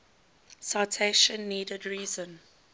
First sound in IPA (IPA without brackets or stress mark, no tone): s